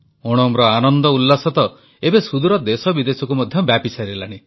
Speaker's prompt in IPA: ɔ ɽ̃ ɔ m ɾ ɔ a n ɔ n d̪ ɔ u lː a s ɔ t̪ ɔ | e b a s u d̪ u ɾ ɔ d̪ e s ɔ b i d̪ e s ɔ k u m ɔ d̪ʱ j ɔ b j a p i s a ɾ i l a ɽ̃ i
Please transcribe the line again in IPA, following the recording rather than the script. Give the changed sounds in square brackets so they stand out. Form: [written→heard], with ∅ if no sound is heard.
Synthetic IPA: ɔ ɽ̃ ɔ m ɾ ɔ a n ɔ n d̪ ɔ u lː a s ɔ t̪ ɔ | e b [a→e] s u d̪ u ɾ ɔ d̪ e s ɔ b i d̪ e s ɔ k u m ɔ d̪ʱ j ɔ b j a p i s a ɾ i l a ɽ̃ i